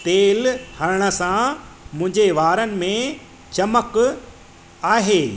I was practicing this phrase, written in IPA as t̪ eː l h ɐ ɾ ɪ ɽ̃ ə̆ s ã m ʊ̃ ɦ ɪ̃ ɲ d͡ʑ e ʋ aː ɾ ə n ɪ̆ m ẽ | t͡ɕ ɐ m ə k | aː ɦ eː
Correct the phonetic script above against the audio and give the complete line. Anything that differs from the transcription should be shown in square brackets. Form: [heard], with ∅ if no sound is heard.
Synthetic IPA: t̪ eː l h ɐ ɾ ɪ ɽ̃ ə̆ s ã m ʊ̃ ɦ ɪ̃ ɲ d͡ʑ e ʋ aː ɾ ə n ɪ̆ m ẽ | t͡ɕ ɐ m ə k | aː ɦ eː